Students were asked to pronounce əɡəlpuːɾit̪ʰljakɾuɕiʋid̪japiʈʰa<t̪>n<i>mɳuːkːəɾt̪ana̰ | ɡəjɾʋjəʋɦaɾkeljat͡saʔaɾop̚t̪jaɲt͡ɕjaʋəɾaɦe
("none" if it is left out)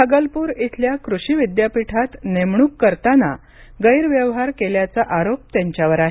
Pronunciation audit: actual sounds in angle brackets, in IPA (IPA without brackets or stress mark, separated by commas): t̪, e